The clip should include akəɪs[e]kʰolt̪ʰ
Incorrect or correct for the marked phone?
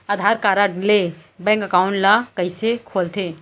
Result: correct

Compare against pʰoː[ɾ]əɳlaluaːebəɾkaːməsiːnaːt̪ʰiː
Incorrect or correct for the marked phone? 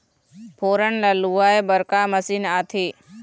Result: correct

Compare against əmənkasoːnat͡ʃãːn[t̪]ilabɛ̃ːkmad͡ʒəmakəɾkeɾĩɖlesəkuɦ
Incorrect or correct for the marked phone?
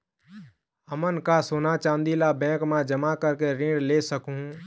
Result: incorrect: d̪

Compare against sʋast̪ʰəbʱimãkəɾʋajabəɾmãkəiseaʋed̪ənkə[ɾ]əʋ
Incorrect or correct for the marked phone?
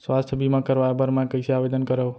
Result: correct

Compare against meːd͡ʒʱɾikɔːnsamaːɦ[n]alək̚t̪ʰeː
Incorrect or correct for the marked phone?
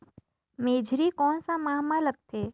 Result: incorrect: m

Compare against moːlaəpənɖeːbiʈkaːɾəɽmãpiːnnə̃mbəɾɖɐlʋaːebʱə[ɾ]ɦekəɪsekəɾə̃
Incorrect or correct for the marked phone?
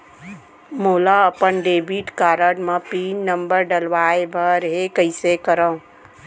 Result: correct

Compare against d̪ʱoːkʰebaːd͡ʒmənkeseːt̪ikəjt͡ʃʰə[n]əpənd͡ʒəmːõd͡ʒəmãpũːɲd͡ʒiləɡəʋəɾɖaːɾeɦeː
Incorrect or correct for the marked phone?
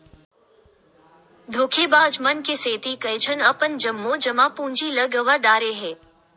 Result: correct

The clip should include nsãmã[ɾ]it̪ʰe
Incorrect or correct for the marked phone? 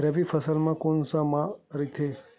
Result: correct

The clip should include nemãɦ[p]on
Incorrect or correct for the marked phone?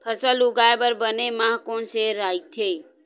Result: incorrect: k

